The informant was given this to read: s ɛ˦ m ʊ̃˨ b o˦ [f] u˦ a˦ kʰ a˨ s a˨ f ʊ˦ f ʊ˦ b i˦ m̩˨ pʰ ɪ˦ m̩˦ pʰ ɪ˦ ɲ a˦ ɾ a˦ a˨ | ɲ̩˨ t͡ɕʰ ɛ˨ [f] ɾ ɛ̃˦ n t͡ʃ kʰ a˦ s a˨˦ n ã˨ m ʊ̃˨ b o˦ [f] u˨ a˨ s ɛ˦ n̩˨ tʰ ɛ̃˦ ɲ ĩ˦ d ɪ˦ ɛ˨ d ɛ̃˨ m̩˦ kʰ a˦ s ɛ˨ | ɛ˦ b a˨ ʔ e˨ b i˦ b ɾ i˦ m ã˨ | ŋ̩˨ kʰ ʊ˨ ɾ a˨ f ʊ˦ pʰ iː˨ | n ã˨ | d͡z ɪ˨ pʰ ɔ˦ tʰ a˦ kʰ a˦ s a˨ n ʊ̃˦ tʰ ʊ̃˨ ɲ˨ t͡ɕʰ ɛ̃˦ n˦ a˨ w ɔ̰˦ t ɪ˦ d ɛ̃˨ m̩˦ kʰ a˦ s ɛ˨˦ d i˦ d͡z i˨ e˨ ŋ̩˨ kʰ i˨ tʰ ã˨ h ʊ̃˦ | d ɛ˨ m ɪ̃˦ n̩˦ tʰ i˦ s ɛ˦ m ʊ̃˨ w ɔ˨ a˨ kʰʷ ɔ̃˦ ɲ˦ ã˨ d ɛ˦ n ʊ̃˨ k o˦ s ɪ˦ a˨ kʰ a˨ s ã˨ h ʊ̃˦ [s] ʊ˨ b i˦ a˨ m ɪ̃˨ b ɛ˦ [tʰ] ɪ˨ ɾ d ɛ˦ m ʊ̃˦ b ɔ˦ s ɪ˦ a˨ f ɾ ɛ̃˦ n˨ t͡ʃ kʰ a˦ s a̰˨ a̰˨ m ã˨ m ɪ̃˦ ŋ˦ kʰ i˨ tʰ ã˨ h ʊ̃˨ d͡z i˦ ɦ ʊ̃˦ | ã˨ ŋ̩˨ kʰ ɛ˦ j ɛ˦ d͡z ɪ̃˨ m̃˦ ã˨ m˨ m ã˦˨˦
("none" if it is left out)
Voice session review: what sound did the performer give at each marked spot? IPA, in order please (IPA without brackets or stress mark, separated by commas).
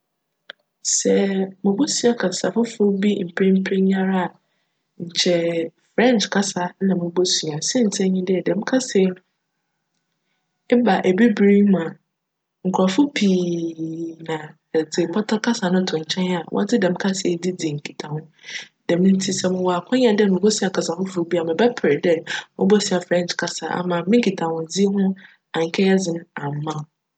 s, f, s, f, pʰ